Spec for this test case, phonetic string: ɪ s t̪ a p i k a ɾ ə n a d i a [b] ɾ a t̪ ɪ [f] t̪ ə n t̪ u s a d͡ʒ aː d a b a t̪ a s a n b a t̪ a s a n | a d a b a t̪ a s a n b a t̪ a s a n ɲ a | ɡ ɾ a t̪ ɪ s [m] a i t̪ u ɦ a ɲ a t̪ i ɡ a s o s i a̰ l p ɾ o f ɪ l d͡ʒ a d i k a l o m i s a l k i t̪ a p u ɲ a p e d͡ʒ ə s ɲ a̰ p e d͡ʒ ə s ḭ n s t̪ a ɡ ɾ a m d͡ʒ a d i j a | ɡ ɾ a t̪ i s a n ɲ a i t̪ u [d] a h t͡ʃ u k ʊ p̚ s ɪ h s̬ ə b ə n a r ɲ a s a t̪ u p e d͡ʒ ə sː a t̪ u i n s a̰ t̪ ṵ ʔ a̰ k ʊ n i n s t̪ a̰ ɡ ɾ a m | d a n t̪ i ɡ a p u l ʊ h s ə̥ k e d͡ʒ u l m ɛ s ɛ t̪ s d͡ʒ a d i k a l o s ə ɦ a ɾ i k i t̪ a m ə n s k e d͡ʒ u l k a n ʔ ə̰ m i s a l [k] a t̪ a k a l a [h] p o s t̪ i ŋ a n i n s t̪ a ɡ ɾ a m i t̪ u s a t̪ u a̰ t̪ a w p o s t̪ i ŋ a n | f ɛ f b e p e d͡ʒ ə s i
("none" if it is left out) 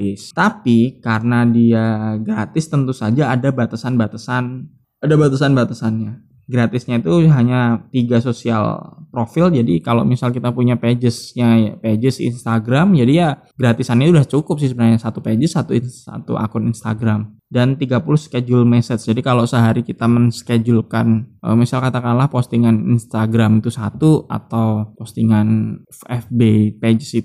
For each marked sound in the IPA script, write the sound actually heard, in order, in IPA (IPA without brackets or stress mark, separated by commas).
ɡ, s, ɲ, d, k, h